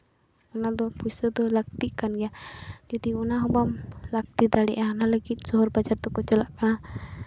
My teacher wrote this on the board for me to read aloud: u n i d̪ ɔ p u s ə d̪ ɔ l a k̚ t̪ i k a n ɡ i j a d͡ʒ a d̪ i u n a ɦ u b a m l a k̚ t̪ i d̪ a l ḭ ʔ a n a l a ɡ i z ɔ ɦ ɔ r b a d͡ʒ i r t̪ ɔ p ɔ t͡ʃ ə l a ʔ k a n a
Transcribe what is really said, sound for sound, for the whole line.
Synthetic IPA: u n a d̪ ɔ p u s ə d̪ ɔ l a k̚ t̪ i k a n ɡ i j a d͡ʒ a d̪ i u n a ɦ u b a m l a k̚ t̪ i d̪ a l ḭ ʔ a n a l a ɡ i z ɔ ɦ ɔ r b a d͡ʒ a r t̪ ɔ k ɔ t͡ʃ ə l a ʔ k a n a